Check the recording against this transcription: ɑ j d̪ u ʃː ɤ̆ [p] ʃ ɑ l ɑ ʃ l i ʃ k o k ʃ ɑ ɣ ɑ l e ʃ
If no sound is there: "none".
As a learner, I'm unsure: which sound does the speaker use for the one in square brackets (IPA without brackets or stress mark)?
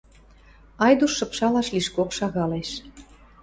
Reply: p